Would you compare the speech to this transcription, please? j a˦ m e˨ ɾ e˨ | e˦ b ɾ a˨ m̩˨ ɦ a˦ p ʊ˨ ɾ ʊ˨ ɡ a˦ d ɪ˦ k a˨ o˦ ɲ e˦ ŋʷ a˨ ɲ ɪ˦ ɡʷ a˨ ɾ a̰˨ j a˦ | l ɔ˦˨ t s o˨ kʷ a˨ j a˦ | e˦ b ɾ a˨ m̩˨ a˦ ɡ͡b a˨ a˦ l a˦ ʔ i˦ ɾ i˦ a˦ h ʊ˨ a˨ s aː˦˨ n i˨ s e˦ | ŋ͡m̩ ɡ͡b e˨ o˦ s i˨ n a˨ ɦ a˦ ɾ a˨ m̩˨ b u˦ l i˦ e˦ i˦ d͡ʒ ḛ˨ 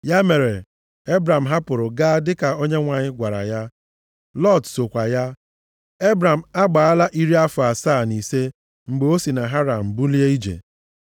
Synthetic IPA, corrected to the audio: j a˦ m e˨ ɾ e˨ | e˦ b ɾ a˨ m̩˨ ɦ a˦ p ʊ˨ ɾ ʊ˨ ɡ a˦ d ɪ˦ k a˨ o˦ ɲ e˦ ŋʷ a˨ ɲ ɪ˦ ɡʷ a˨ ɾ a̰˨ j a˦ | l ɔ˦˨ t s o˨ kʷ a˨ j a˦ | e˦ b ɾ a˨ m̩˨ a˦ ɡ͡b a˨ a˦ l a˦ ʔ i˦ ɾ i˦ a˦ f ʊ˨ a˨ s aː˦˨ n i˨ s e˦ | ŋ͡m̩ ɡ͡b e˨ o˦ s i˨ n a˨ ɦ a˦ ɾ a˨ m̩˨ b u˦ l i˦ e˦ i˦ d͡ʒ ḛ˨